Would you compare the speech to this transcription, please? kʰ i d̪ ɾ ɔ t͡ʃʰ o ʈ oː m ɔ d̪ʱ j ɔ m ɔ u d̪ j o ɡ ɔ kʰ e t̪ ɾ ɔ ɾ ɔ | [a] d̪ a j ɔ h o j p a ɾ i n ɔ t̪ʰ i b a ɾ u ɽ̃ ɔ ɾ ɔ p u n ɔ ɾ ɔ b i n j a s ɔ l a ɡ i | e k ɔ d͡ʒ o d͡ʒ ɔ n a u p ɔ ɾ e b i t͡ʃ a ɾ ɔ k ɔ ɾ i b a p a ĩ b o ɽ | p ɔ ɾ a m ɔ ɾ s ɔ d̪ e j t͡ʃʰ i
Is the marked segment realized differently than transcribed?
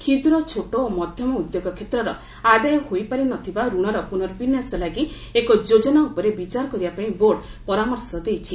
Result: no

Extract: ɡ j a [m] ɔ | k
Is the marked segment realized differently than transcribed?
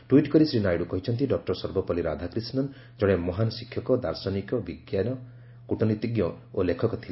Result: yes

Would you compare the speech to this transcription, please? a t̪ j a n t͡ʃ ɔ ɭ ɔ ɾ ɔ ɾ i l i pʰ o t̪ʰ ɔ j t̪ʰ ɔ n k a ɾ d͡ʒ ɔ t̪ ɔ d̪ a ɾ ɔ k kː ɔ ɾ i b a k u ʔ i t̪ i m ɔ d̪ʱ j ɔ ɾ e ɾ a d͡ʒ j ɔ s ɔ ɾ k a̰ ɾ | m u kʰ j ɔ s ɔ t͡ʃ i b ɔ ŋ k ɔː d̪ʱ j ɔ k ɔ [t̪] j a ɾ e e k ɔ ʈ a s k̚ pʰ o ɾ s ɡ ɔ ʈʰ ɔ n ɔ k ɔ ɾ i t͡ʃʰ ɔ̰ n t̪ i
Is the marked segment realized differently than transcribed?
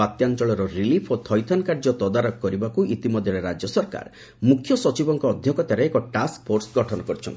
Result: no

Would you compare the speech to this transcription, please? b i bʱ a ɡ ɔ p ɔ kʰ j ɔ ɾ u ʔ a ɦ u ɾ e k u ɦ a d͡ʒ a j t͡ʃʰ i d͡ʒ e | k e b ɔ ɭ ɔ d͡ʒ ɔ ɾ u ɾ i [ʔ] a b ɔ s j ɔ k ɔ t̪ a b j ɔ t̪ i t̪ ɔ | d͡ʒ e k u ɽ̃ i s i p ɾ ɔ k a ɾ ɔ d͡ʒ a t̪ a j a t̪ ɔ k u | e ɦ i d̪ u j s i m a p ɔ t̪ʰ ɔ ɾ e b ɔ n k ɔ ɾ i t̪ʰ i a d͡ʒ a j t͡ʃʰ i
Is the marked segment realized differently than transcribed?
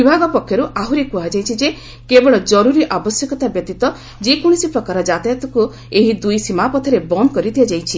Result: no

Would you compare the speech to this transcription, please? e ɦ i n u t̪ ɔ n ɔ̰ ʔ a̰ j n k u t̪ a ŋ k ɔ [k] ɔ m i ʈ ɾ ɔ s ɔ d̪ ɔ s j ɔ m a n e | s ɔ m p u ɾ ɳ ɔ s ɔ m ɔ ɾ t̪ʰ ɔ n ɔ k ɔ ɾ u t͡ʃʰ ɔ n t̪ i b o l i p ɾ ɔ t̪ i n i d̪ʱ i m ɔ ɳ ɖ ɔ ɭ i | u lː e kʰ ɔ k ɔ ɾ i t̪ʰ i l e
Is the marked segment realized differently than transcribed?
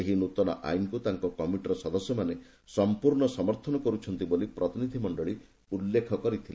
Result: no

